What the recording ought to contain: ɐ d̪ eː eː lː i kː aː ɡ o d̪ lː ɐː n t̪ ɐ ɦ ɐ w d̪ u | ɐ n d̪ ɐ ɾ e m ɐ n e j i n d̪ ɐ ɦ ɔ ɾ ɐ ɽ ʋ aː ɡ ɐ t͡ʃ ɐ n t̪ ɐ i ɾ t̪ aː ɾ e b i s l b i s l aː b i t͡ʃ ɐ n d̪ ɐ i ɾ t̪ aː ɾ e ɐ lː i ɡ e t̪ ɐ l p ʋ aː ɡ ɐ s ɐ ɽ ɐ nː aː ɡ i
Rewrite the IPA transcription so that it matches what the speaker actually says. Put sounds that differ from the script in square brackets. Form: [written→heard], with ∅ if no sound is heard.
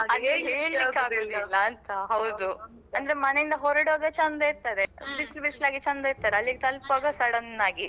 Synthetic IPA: ɐ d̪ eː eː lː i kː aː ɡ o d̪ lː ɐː n t̪ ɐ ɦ ɐ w d̪ u | ɐ n d̪ ɐ ɾ e m ɐ n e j i n d̪ ɐ ɦ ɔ ɾ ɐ ɽ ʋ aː ɡ ɐ t͡ʃ ɐ n [t̪→d̪] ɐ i ɾ t̪ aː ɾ e b i s l b i s l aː [b→ɡ] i t͡ʃ ɐ n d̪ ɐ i ɾ t̪ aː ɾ e ɐ lː i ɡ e t̪ ɐ l p ʋ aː ɡ ɐ s ɐ ɽ ɐ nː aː ɡ i

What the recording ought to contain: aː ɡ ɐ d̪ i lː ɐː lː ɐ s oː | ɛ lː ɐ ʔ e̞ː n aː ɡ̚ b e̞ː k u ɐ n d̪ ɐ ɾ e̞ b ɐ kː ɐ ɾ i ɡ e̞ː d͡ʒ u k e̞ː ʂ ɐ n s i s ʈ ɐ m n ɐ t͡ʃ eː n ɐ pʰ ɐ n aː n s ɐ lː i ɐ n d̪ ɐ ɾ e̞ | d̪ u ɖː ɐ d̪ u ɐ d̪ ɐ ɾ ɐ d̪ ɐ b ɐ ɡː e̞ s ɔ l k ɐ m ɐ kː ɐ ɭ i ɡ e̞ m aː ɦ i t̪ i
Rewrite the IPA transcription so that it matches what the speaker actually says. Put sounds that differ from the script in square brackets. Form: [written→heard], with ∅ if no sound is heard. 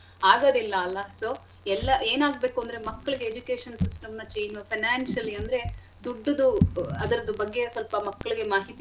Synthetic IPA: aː ɡ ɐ d̪ i lː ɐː lː ɐ s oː | ɛ lː ɐ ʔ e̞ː n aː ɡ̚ b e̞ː k u ɐ n d̪ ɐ ɾ e̞ [b→m] ɐ kː ɐ [ɾ→ɭ] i ɡ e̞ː d͡ʒ u k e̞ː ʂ ɐ n s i s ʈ ɐ m n ɐ t͡ʃ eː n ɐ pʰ ɐ n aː n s ɐ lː i ɐ n d̪ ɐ ɾ e̞ | d̪ u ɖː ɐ d̪ u ɐ d̪ ɐ ɾ ɐ d̪ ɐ b ɐ ɡː e̞ s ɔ l [k→p] ɐ m ɐ kː ɐ ɭ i ɡ e̞ m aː ɦ i t̪ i

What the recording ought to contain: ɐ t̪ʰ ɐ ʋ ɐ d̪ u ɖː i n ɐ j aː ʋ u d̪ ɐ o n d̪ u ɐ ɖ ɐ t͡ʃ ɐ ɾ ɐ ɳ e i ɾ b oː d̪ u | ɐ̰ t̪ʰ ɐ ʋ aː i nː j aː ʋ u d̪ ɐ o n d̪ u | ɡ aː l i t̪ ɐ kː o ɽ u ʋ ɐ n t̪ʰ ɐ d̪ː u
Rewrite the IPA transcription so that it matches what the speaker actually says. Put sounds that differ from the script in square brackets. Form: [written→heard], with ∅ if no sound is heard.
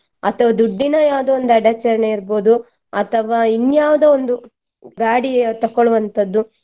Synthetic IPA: ɐ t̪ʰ ɐ ʋ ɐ d̪ u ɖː i n ɐ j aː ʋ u d̪ ɐ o n d̪ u ɐ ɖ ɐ t͡ʃ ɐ ɾ ɐ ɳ e i ɾ b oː d̪ u | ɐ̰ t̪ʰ ɐ ʋ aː i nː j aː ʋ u d̪ ɐ o n d̪ u | ɡ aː [l→ɽ] i t̪ ɐ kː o [ɽ→ɭ] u ʋ ɐ n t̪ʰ ɐ d̪ː u

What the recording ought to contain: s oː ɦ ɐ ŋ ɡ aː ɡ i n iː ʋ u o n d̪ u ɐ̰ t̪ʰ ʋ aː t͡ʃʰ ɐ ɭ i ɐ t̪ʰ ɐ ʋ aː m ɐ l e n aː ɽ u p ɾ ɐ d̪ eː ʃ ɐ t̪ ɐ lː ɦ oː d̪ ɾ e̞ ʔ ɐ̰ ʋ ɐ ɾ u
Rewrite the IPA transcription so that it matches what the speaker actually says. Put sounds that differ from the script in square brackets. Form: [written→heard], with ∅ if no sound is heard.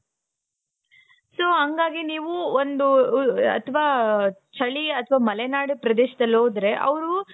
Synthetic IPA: s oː ɦ ɐ ŋ ɡ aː ɡ i n iː ʋ u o n d̪ u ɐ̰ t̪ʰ ʋ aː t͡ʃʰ ɐ ɭ i ɐ t̪ʰ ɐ ʋ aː m ɐ l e n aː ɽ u p ɾ ɐ d̪ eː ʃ ɐ [t̪→d̪] ɐ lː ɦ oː d̪ ɾ e̞ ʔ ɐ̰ ʋ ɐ ɾ u

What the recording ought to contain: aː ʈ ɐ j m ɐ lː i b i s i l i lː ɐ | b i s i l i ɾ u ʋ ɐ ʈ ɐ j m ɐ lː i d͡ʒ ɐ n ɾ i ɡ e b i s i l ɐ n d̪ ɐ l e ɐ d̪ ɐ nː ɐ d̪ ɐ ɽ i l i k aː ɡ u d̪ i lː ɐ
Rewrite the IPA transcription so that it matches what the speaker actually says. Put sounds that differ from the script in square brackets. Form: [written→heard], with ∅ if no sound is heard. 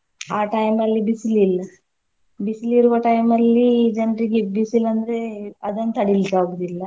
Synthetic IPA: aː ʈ ɐ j m ɐ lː i b i s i l i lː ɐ | b i s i l i ɾ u ʋ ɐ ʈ ɐ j m ɐ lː i d͡ʒ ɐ n ɾ i ɡ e b i s i l ɐ n d̪ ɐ [l→ɾ] e ɐ d̪ ɐ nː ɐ [d̪→t̪] ɐ ɽ i l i k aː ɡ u d̪ i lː ɐ

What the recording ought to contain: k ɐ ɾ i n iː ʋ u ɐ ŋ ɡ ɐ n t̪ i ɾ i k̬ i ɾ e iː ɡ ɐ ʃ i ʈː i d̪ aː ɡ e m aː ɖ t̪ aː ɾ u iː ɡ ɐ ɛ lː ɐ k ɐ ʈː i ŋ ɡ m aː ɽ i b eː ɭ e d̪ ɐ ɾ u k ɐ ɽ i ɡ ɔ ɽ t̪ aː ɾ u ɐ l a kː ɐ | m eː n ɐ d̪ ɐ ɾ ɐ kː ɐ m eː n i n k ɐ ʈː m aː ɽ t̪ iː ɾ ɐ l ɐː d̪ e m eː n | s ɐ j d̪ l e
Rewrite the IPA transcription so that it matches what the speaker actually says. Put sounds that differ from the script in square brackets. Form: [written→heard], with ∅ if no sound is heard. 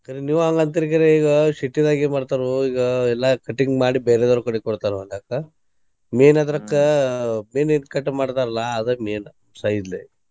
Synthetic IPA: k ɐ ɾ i n iː ʋ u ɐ ŋ ɡ ɐ n t̪ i ɾ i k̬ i ɾ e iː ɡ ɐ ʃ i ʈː i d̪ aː ɡ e m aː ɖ t̪ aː ɾ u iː ɡ ɐ ɛ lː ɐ k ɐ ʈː i ŋ ɡ m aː ɽ i b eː [ɭ→ɾ] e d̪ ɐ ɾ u k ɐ ɽ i [ɡ→k] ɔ ɽ t̪ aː ɾ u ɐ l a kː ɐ | m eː n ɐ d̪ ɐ ɾ ɐ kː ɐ m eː n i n k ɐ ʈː m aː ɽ t̪ [iː→aː] ɾ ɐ l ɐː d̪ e m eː n | s ɐ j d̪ l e

